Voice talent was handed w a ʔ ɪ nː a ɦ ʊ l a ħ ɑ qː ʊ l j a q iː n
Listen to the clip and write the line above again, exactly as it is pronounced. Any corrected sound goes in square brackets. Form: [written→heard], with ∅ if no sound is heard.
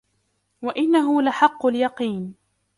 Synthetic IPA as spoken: w a ʔ ɪ nː a ɦ ʊ l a ħ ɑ qː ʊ l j [a→ɑ] q iː n